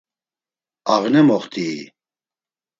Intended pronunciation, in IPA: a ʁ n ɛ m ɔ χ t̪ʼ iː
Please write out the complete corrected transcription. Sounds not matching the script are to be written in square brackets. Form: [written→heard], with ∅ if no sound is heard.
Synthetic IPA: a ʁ n ɛ m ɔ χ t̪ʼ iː